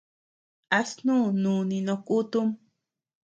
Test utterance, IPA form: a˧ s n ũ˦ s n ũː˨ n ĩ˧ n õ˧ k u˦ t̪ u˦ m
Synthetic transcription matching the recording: a˧ s n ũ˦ n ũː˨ n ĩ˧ n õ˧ k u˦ t̪ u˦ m